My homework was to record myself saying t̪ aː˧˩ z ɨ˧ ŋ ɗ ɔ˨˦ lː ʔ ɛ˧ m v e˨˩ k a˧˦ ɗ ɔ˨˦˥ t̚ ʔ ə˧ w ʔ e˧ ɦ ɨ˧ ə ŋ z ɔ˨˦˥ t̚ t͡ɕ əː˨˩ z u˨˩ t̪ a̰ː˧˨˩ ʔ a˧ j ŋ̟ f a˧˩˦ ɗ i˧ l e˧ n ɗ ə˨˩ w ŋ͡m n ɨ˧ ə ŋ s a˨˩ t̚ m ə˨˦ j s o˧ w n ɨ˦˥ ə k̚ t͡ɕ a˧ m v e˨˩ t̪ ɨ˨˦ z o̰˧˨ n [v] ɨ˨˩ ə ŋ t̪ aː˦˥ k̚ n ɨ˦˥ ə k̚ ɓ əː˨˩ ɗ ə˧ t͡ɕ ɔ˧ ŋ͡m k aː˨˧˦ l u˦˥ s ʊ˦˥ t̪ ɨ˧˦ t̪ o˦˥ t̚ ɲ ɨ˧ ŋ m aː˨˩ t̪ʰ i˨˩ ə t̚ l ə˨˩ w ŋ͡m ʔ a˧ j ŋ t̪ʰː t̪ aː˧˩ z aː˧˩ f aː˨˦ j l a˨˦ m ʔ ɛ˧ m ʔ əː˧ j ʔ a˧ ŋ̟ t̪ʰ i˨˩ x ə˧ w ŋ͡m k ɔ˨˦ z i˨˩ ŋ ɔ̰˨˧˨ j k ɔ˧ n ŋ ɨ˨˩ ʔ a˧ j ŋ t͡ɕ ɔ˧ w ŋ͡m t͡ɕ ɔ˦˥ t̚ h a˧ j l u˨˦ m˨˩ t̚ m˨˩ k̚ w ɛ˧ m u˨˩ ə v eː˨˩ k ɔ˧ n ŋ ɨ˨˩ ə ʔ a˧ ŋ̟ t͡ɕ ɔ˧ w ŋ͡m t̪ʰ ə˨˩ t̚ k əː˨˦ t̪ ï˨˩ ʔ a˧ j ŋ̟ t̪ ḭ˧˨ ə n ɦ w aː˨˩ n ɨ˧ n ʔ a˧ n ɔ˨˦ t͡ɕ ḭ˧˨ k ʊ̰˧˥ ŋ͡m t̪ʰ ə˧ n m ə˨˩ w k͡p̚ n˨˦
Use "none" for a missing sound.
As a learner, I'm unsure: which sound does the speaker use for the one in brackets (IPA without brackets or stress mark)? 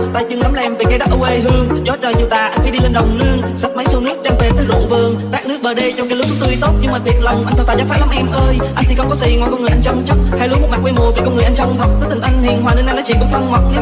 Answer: v